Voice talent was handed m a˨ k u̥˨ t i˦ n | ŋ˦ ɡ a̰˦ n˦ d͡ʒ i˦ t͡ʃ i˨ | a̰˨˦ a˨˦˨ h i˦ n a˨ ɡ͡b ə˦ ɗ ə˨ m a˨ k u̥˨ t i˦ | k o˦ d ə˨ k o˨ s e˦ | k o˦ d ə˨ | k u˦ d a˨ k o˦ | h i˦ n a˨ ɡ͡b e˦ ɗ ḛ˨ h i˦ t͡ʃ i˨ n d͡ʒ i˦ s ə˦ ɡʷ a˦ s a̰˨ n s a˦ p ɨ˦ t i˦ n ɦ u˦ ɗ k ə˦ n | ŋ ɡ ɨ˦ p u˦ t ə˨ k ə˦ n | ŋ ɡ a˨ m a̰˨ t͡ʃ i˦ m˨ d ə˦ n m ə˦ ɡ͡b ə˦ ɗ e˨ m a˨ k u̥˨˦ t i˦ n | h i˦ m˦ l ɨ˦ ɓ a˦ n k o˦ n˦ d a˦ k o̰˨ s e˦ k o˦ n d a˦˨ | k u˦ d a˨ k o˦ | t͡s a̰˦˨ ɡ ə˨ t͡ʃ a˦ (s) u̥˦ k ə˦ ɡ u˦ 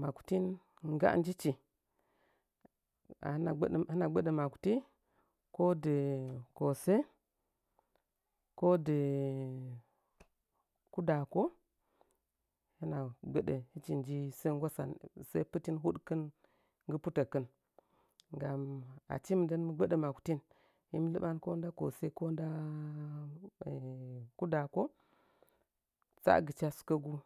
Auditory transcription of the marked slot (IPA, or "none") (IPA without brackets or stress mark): s